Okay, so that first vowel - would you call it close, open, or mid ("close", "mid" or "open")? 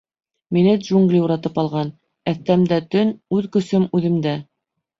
close